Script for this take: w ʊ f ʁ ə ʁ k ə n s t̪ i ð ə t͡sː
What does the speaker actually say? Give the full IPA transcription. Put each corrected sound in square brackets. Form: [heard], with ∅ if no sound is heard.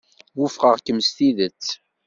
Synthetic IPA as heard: w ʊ f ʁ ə ʁ k ə [m] s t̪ i ð ə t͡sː